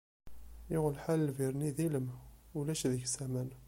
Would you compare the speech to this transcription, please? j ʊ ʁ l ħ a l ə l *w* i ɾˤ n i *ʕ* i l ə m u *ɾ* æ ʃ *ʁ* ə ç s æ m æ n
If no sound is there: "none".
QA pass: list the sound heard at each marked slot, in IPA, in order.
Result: v, ð, l, ð

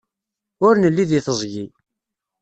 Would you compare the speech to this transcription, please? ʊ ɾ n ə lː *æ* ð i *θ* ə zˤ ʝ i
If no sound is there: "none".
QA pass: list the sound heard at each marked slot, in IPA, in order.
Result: i, θ

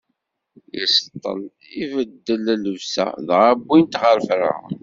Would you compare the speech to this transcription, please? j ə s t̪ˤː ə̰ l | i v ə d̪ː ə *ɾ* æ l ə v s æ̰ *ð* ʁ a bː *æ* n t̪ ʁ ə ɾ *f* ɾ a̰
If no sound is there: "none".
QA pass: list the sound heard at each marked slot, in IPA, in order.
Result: l, ð, i, f

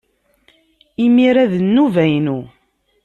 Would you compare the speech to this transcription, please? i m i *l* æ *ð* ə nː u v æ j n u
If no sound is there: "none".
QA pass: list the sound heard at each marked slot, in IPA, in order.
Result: ɾ, ð

